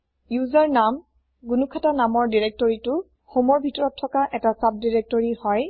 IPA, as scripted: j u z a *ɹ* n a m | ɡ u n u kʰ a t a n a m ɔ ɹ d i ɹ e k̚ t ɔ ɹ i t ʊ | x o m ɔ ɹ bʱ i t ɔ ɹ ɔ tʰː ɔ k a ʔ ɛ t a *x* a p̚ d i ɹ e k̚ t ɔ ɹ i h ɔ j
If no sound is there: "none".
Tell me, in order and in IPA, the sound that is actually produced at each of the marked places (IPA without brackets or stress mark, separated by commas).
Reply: ɹ, s